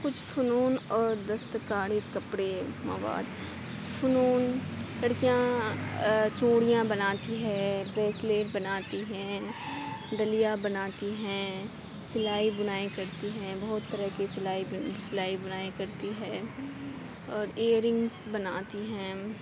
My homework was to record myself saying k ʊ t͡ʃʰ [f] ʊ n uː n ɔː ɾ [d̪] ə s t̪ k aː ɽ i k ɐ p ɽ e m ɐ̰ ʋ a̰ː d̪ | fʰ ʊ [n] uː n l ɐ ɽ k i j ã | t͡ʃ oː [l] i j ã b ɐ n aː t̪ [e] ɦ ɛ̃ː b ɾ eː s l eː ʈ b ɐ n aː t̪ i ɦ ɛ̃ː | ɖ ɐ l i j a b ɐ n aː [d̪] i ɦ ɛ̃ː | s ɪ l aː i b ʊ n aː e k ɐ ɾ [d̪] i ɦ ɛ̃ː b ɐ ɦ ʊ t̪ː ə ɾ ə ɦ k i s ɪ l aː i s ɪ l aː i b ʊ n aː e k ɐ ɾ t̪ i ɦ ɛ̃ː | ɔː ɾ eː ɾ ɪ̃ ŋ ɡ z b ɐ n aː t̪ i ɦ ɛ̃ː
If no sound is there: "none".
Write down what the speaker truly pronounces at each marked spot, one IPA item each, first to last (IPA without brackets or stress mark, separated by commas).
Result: f, d̪, n, ɽ, i, t̪, t̪